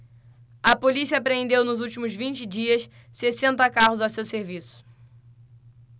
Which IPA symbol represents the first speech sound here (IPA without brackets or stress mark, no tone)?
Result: ɐ